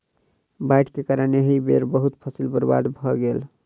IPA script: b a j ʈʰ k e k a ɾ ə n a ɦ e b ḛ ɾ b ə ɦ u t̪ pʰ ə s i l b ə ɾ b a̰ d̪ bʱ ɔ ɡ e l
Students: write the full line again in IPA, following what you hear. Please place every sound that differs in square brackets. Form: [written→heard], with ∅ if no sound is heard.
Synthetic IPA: b a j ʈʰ k e k a ɾ ə n [a→e] ɦ [e→i] b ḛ ɾ b ə ɦ u t̪ pʰ ə s i l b ə ɾ b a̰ d̪ bʱ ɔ ɡ e l